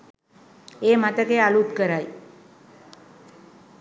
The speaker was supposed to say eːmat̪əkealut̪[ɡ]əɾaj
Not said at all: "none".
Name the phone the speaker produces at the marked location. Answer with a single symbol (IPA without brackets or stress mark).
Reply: k